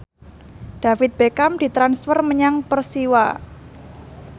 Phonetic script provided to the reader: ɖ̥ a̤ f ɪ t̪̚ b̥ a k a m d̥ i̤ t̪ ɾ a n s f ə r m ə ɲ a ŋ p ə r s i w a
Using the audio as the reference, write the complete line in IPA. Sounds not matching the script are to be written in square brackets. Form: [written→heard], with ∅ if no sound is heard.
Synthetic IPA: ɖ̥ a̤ f ɪ t̪̚ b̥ [a→e] k a m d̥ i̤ t̪ ɾ a n s f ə r m ə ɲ a ŋ p ə r s i w a